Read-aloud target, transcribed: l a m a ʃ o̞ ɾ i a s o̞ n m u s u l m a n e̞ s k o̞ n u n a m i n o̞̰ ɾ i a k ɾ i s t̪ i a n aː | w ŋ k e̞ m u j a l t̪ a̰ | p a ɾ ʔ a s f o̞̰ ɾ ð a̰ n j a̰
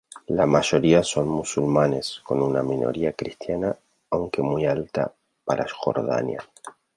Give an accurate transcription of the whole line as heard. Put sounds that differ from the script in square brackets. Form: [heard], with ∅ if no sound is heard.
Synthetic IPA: l a m a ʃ o̞ ɾ i a s o̞ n m u s u l m a n e̞ s k o̞ n u n a m i n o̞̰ ɾ i a k ɾ i s t̪ [j] a n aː | w ŋ k e̞ m u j a l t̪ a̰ | p a ɾ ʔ a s [x] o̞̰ ɾ ð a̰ n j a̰